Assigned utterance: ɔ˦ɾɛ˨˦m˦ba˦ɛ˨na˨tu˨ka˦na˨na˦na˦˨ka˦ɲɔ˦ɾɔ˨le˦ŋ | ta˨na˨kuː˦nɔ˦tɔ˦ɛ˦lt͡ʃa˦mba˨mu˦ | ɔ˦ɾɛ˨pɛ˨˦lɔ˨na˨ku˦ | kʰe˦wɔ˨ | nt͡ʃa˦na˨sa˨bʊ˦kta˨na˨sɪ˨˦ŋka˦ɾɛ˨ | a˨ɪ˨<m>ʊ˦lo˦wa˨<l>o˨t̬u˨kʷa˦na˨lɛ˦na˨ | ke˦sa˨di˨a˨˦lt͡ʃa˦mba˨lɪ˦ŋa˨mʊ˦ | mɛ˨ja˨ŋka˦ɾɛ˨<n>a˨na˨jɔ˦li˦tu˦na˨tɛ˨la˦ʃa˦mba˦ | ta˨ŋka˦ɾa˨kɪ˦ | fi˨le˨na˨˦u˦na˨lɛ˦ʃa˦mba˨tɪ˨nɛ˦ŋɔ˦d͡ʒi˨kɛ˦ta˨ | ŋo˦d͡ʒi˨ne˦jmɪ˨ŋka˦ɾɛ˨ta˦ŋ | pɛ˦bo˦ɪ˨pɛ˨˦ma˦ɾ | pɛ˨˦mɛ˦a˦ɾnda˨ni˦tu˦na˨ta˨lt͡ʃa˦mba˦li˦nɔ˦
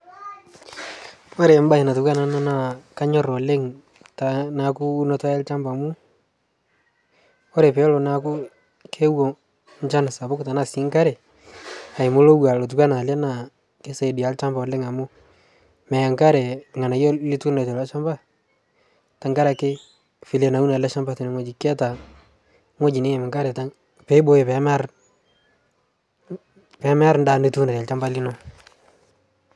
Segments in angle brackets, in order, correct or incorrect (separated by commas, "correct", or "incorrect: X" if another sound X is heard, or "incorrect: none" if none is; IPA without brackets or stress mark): correct, correct, incorrect: ŋ